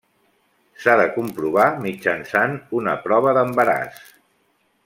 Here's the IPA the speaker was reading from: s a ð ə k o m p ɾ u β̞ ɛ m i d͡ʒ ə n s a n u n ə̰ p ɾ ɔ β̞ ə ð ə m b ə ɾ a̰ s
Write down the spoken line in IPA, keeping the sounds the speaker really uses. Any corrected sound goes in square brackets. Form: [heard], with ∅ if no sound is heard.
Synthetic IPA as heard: s a ð ə k [u] m p ɾ u β̞ [a] m i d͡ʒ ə n s a n u n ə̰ p ɾ ɔ β̞ ə ð ə m b ə ɾ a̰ s